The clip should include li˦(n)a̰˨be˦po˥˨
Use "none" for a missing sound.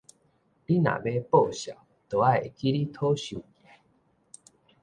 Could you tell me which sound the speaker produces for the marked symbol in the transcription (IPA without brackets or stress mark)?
n